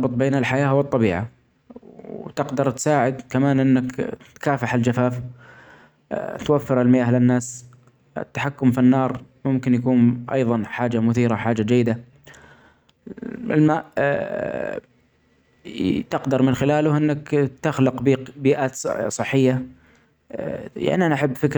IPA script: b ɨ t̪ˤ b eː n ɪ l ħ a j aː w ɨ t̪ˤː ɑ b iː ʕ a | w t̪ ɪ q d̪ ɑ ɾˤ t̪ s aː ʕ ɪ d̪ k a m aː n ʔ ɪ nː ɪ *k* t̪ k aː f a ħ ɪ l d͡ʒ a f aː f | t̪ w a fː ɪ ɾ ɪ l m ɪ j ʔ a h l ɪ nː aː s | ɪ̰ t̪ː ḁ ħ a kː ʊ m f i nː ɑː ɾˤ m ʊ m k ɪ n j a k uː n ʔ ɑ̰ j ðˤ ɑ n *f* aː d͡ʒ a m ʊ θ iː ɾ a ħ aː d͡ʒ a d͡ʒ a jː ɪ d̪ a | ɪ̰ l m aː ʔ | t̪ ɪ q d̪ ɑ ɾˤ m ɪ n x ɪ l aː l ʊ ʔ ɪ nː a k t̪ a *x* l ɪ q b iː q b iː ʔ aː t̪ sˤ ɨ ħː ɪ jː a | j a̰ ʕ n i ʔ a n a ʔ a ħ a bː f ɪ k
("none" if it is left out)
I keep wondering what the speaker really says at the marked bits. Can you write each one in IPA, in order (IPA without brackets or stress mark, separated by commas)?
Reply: k, ħ, x